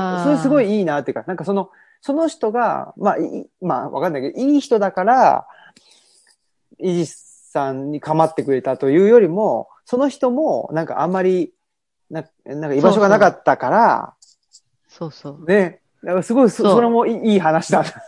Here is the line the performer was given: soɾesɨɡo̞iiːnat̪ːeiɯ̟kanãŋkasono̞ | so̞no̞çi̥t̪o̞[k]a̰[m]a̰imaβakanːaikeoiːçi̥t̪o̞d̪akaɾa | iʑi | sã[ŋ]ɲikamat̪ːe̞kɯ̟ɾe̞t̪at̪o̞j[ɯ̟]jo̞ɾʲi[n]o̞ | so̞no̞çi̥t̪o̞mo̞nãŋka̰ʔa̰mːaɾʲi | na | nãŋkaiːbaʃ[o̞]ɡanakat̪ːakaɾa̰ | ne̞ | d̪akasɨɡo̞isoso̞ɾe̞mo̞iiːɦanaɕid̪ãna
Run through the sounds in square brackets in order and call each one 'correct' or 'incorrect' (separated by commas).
incorrect, correct, incorrect, incorrect, incorrect, correct